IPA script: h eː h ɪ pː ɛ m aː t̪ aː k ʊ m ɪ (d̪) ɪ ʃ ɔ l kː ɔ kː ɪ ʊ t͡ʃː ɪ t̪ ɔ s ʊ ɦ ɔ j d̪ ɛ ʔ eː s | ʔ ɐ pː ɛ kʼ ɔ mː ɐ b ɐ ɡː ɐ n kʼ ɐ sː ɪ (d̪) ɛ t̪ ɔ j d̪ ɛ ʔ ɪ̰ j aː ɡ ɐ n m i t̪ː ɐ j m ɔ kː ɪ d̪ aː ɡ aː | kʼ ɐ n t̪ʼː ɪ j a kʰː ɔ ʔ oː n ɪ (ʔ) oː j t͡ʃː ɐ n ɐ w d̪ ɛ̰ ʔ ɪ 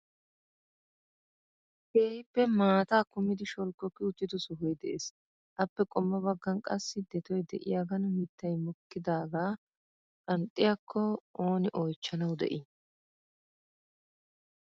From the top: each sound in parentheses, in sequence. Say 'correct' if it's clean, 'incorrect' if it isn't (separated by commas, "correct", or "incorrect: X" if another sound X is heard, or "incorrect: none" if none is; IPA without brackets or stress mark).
correct, correct, correct